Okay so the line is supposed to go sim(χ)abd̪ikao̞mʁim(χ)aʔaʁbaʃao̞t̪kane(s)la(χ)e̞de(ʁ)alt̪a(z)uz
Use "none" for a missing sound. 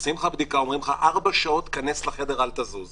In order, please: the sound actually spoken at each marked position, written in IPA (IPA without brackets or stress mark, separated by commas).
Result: χ, χ, s, χ, ʁ, z